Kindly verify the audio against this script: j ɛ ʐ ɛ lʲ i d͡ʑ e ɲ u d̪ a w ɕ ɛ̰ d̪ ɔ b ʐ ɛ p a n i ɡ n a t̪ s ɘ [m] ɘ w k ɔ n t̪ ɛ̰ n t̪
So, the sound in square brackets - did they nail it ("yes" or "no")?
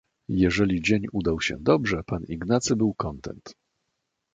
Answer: no